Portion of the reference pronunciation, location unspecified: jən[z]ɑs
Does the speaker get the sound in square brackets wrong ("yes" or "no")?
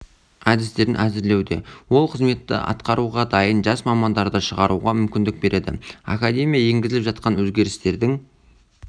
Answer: yes